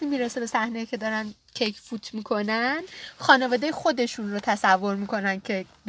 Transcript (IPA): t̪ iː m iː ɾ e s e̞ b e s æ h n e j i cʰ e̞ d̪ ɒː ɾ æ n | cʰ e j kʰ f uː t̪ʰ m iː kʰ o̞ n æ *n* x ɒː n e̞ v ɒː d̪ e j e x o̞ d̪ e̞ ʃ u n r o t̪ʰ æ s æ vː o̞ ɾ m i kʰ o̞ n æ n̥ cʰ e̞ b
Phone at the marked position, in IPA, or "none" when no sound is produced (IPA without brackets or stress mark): n